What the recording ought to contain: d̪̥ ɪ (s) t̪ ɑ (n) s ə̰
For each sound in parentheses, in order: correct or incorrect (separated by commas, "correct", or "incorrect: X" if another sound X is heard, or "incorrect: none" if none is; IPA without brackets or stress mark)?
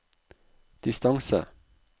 correct, incorrect: ŋ